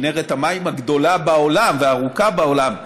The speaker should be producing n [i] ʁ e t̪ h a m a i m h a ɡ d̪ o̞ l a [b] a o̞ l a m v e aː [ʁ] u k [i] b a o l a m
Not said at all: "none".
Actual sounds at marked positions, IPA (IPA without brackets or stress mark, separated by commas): e, b, ʁ, a